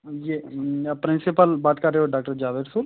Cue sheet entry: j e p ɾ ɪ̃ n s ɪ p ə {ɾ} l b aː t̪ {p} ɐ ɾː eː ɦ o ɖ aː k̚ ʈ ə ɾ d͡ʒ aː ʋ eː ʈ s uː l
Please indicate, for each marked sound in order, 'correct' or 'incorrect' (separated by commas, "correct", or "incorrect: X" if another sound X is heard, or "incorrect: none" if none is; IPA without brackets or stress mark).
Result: incorrect: none, incorrect: k